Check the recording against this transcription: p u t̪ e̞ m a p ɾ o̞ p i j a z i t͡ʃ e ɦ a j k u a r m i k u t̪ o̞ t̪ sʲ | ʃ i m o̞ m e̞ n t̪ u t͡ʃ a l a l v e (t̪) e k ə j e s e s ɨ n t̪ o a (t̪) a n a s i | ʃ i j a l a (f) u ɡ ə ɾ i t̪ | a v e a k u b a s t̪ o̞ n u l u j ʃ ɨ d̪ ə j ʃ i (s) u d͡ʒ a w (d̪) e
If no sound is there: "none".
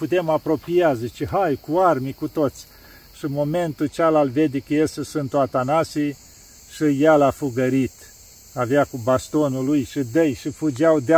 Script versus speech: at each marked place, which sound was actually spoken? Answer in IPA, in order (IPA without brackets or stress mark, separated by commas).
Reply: d̪, t̪, f, f, d̪